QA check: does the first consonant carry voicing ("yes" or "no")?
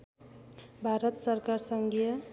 yes